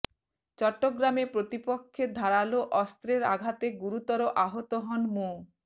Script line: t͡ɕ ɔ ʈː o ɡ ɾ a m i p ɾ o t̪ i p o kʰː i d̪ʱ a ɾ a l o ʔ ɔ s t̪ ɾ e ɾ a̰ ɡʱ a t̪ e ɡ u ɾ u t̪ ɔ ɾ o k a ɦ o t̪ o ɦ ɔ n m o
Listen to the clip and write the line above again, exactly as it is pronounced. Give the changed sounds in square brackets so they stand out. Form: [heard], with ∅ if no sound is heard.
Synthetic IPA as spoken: t͡ɕ ɔ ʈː o ɡ ɾ a m [e] p ɾ o t̪ i p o kʰː [e] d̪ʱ a ɾ a l o ʔ ɔ s t̪ ɾ e ɾ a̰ ɡʱ a t̪ e ɡ u ɾ u t̪ ɔ ɾ o [ʔ] a ɦ o t̪ o ɦ ɔ n m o